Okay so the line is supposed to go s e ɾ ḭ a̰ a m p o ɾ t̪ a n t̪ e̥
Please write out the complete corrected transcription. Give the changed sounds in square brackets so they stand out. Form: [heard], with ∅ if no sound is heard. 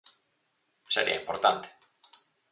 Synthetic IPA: s e ɾ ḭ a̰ [i] m p o ɾ t̪ a n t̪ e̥